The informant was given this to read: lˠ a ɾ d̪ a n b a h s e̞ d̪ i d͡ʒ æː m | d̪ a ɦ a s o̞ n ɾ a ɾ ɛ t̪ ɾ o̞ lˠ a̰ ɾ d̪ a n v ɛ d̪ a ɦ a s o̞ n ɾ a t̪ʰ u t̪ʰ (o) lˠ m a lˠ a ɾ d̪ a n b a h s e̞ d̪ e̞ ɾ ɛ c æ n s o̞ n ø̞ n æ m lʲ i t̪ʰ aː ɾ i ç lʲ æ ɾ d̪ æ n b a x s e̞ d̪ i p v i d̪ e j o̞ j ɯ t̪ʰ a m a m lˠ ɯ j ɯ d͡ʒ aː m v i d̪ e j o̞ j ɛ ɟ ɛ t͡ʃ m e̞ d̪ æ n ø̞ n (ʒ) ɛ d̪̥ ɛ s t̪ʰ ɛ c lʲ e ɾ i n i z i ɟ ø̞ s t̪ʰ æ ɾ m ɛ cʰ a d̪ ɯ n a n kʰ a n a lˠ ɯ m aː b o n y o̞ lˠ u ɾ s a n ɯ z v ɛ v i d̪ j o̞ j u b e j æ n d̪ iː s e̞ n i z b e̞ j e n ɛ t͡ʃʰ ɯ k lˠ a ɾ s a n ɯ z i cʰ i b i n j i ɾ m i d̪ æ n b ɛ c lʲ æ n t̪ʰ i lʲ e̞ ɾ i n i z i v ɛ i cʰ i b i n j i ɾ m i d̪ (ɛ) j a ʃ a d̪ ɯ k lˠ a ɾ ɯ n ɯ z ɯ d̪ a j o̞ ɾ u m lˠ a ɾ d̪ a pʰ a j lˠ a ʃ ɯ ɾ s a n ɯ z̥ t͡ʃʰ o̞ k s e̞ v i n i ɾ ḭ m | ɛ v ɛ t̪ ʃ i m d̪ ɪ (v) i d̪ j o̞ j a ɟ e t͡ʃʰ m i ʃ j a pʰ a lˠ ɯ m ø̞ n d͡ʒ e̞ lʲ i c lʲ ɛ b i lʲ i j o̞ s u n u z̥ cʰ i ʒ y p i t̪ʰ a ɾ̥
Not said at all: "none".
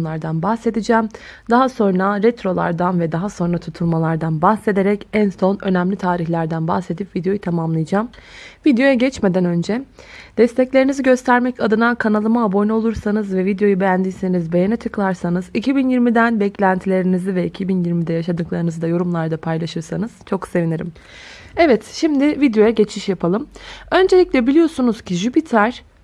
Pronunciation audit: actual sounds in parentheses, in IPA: u, d͡ʒ, ɛ, v

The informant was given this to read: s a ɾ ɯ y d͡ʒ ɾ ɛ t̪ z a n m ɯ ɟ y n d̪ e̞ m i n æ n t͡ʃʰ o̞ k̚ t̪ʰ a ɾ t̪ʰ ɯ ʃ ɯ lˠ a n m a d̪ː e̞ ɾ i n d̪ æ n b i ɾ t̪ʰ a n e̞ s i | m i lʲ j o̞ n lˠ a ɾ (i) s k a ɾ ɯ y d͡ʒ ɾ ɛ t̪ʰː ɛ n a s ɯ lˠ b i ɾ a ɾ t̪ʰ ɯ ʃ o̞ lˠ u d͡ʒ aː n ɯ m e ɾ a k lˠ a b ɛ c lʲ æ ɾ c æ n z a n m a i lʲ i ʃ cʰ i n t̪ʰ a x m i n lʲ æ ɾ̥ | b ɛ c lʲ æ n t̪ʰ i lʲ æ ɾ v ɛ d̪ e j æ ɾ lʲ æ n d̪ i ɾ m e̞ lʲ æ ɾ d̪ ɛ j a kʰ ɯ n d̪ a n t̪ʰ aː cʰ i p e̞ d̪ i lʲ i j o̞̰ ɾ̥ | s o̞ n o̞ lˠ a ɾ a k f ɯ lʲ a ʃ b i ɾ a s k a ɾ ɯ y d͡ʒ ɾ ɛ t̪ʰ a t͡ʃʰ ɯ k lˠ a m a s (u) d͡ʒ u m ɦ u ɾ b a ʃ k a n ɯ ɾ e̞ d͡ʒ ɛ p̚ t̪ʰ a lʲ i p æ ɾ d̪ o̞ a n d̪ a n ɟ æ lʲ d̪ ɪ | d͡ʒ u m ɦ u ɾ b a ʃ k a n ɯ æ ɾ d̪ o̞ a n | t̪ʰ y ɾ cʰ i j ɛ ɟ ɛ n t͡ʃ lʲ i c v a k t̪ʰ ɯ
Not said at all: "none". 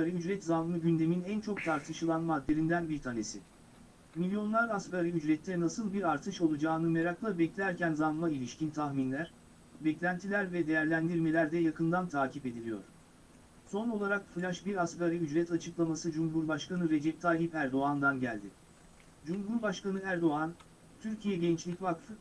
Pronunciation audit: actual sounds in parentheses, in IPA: a, ɯ

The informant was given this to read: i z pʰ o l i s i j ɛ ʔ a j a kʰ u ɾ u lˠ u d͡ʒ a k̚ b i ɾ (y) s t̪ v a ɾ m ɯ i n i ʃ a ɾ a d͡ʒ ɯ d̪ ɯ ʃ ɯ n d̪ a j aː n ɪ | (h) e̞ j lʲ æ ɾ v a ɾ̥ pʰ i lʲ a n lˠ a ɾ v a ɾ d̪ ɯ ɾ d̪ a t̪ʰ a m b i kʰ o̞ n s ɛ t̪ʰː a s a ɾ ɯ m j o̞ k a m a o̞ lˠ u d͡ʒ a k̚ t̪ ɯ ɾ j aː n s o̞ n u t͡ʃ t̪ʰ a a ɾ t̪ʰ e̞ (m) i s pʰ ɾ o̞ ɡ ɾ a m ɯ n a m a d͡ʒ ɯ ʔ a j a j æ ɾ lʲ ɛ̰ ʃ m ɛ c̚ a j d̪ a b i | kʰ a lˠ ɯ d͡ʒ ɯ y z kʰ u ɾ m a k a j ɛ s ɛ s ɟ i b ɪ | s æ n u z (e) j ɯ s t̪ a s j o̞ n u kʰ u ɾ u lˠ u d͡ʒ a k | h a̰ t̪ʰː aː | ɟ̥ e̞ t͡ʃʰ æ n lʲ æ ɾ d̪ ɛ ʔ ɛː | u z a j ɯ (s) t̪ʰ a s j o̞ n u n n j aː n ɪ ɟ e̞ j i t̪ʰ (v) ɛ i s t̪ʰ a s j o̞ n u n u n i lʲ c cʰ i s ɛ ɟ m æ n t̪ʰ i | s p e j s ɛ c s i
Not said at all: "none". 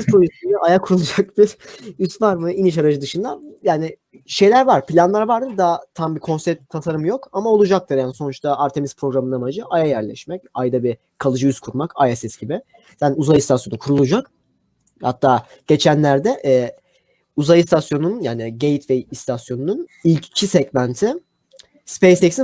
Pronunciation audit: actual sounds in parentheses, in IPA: y, ʃ, m, a, s, v

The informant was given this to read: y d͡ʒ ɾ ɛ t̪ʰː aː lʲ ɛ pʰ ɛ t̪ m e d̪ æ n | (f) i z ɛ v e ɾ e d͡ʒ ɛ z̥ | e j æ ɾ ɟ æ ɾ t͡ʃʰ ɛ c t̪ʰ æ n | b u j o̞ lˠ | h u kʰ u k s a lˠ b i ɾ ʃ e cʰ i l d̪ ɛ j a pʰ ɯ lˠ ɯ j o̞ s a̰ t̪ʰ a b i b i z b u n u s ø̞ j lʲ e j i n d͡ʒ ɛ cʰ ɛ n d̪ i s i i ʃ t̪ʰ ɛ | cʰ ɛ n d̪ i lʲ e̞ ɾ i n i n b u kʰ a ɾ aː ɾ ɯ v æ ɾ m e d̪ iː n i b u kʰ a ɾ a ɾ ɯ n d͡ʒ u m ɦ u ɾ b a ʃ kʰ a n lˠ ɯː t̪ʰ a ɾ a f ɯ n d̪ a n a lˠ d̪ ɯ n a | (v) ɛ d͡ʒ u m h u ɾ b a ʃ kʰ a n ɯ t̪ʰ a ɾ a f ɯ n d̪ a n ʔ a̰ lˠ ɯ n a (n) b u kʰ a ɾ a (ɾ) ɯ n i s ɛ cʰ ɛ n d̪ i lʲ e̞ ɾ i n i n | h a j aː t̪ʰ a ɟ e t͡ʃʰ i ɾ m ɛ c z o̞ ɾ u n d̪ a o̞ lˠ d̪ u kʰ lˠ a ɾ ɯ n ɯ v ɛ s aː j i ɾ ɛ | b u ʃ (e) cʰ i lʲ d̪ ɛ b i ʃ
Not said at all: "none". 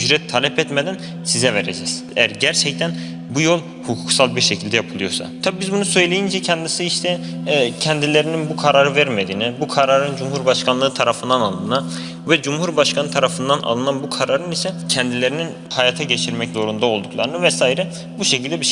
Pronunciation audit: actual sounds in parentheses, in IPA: s, v, n, ɾ, e

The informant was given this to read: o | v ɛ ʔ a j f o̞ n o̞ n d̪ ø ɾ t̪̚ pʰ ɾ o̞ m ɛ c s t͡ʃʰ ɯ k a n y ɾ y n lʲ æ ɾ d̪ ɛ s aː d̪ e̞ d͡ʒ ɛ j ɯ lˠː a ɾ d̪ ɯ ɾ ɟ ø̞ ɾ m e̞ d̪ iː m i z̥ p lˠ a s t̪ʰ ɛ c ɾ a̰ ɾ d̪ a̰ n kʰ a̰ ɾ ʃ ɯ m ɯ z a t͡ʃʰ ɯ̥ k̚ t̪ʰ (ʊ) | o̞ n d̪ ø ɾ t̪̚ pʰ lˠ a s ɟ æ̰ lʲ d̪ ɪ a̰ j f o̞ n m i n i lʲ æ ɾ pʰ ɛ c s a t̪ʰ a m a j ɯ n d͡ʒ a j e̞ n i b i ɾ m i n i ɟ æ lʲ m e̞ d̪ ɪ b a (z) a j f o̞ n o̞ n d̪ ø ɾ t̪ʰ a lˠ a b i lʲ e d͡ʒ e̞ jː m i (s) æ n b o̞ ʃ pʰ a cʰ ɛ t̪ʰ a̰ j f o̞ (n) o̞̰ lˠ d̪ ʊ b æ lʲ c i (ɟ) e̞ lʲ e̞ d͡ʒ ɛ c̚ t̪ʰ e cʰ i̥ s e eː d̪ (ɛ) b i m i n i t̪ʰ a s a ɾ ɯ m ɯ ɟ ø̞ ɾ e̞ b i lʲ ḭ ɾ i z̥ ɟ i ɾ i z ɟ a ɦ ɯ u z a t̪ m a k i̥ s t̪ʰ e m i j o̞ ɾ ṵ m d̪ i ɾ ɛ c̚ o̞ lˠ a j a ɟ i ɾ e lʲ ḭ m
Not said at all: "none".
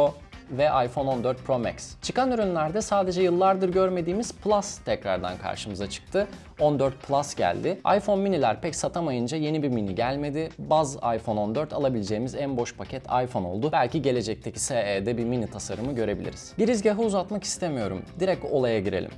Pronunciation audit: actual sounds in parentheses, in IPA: ɯ, z, z, n, ɟ, ɛ

